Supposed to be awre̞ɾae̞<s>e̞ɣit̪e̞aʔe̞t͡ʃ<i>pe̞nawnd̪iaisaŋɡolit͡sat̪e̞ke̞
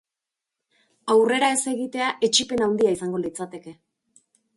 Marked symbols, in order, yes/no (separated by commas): yes, yes